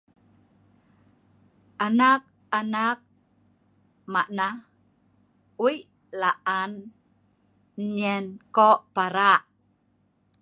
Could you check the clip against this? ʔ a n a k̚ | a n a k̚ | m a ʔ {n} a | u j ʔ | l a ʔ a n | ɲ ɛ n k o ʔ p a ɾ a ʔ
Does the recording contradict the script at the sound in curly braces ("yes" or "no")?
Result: no